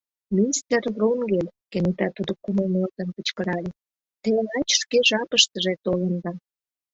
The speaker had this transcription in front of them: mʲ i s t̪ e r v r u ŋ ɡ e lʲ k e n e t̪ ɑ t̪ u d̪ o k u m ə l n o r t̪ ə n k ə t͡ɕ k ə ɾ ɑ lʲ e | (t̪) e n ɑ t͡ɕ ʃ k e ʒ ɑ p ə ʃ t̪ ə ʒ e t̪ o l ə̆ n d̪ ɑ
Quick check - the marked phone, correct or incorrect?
correct